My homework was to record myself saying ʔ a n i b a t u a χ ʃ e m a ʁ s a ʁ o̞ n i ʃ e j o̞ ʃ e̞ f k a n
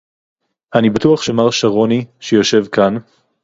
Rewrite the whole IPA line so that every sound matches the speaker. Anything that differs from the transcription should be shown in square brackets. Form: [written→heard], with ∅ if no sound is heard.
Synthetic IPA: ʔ a n i b a t u a χ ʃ e m a ʁ [s→ʃ] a ʁ o̞ n i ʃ e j o̞ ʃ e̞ [f→v] k a n

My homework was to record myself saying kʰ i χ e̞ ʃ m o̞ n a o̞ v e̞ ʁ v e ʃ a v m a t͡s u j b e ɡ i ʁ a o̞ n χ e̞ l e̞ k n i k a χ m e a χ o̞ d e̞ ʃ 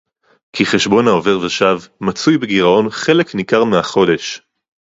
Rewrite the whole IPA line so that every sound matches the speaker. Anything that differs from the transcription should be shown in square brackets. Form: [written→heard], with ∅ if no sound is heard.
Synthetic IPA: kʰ i χ e̞ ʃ [m→b] o̞ n a o̞ v e̞ ʁ v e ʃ a v m a t͡s u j b e ɡ i ʁ a o̞ n χ e̞ l e̞ k n i k a [χ→ʁ] m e a χ o̞ d e̞ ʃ

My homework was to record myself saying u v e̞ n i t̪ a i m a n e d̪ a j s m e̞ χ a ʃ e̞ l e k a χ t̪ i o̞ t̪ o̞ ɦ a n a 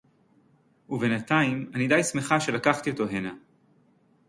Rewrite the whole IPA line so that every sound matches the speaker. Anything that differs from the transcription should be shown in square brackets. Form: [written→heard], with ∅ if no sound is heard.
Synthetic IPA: u v e̞ n [i→a] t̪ a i m a n [e→i] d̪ a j s m e̞ χ a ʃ e̞ l [e→a] k a χ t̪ i o̞ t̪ o̞ ɦ [a→e] n a

